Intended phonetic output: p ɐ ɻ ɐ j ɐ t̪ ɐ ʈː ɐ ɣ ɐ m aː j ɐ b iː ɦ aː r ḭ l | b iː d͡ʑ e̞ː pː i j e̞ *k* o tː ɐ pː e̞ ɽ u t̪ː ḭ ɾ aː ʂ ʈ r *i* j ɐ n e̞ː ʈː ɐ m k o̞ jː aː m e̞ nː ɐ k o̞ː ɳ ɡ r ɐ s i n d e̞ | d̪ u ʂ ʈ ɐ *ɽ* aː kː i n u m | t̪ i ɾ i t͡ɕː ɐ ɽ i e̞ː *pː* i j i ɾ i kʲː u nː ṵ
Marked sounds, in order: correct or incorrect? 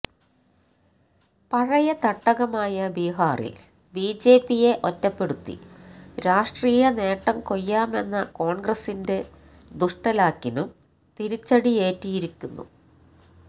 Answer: incorrect, incorrect, incorrect, incorrect

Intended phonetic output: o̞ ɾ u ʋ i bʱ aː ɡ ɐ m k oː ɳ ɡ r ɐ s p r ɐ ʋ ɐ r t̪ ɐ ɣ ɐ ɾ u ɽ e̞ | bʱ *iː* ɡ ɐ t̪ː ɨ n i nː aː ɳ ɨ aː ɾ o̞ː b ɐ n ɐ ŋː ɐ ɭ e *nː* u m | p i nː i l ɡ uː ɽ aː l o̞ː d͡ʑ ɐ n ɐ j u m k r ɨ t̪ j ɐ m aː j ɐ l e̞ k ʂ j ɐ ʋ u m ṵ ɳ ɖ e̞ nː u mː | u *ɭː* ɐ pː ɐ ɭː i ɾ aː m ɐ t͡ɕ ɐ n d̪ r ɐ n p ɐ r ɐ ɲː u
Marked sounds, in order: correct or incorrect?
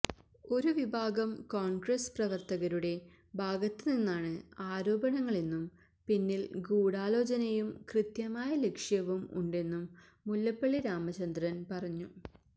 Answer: incorrect, correct, incorrect

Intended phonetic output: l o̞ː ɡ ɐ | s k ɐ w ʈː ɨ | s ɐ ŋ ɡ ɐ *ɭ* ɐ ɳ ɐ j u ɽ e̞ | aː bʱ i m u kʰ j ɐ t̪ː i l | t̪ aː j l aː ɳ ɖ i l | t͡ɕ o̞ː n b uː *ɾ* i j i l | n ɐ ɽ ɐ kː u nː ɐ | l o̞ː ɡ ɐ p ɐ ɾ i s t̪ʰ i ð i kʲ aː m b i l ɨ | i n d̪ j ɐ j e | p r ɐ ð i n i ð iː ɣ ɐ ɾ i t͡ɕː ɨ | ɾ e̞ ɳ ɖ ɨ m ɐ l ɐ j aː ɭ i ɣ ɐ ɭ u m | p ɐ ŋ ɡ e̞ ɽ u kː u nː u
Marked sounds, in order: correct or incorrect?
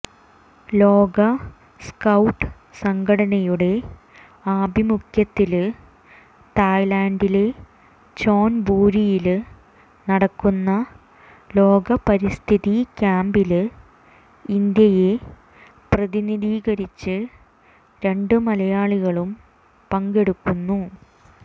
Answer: incorrect, correct

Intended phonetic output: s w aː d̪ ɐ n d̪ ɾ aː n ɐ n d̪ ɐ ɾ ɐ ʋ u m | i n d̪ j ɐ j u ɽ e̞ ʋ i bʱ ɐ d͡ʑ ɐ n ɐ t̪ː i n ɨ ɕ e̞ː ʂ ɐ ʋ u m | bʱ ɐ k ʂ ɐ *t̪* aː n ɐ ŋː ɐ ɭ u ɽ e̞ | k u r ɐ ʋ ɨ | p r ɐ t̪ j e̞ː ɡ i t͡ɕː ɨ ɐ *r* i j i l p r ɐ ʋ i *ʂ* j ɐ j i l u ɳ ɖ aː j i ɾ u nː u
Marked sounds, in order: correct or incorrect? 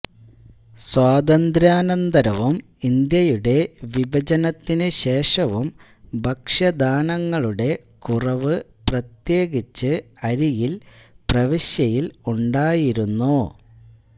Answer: incorrect, incorrect, incorrect

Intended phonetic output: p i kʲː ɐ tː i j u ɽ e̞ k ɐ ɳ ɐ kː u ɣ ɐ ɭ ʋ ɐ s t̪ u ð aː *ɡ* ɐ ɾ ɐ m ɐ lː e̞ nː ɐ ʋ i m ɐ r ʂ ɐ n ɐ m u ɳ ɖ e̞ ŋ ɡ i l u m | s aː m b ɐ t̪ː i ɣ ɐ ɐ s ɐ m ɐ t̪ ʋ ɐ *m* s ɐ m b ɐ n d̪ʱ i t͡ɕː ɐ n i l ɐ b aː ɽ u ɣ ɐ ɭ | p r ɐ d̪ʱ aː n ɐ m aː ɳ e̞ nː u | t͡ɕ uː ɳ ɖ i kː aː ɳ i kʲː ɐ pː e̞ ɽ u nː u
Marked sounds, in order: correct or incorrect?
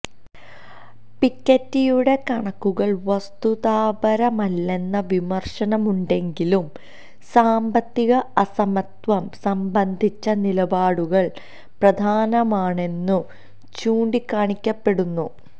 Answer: incorrect, correct

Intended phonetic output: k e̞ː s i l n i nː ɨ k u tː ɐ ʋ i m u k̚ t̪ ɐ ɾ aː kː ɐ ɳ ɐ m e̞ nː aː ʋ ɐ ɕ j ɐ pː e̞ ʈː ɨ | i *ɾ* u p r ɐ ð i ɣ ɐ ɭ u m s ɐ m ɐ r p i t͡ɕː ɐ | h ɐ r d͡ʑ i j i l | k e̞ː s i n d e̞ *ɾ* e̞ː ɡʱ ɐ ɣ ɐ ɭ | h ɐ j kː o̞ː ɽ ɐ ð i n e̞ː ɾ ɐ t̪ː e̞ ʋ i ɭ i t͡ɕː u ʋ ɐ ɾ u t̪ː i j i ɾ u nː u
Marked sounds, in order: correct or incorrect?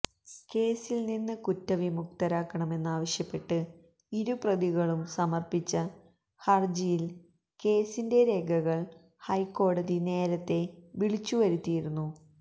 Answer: correct, correct

